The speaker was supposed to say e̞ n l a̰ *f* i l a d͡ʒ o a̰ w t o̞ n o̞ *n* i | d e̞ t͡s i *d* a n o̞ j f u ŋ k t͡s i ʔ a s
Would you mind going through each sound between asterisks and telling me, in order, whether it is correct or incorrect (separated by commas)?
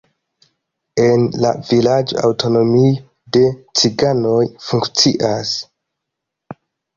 incorrect, incorrect, incorrect